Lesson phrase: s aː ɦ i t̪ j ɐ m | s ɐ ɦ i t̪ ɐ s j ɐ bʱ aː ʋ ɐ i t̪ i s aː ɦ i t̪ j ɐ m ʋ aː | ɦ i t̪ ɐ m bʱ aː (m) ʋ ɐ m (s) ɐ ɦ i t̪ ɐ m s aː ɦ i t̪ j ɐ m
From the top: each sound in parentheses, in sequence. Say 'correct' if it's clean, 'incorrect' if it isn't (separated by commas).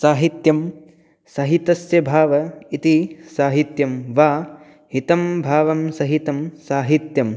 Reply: incorrect, correct